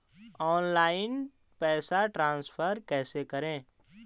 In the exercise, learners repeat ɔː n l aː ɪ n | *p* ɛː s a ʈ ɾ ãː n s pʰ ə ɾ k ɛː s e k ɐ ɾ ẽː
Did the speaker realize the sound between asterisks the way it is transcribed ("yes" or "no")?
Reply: yes